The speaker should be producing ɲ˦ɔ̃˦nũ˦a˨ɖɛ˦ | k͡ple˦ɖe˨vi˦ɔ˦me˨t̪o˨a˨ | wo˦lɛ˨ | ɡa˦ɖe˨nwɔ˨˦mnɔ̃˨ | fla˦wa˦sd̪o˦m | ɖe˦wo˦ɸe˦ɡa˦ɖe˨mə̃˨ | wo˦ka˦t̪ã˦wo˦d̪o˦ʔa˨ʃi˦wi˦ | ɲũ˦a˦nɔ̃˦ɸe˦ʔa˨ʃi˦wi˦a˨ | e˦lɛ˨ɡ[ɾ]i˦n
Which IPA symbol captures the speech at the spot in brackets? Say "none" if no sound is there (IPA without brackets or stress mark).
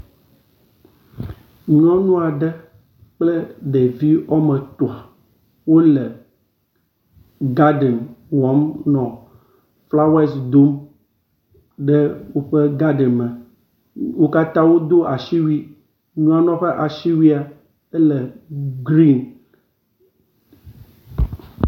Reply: ɾ